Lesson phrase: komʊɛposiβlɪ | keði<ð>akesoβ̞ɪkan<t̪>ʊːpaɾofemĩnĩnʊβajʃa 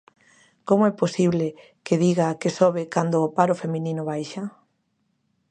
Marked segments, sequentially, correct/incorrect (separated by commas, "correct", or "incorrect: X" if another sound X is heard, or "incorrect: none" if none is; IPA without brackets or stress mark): incorrect: ɣ, incorrect: d̪